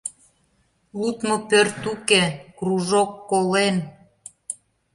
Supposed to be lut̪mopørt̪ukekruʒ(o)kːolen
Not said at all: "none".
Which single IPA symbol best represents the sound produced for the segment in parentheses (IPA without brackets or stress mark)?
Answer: o